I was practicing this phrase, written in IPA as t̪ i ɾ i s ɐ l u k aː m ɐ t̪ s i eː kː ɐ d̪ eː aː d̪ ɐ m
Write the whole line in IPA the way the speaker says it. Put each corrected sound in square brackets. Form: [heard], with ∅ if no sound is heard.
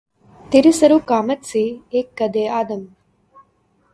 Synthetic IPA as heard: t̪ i ɾ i s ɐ [ɾ] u k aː m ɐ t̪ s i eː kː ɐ d̪ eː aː d̪ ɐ m